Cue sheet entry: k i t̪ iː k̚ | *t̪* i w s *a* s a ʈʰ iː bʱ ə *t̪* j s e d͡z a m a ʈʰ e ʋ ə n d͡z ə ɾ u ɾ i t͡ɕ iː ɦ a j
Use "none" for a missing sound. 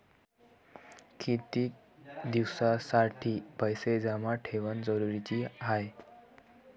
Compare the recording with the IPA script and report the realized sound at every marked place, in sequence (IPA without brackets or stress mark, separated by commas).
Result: d̪, a, none